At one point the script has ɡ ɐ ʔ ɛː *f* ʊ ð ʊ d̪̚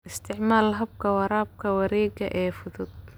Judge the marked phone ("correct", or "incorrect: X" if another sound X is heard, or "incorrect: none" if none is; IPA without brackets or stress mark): correct